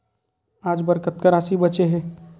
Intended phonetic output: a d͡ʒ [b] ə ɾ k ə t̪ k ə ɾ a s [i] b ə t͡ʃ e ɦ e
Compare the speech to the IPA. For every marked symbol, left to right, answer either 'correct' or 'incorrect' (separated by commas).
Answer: correct, correct